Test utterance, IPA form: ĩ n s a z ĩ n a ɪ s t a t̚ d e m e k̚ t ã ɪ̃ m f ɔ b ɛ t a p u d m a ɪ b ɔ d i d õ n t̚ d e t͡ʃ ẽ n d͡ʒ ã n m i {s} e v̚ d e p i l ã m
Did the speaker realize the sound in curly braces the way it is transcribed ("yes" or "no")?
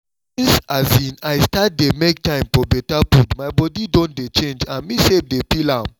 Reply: yes